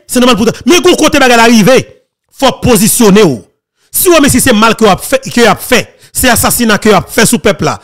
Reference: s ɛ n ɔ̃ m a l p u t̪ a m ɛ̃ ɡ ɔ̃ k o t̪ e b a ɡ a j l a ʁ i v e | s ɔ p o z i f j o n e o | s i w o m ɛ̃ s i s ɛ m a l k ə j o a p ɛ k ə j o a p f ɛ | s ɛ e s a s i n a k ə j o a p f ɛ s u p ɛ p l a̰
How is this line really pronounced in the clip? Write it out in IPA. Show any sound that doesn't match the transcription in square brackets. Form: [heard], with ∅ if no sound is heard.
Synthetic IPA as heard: s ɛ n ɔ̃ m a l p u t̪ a m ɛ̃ ɡ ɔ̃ k o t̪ e b a ɡ a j l a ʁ i v e | [f] ɔ p o z i [s] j o n e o | s i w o m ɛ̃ s i s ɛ m a l k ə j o a p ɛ k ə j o a p f ɛ | s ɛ [a] s a s i n a k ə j o a p f ɛ s u p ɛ p l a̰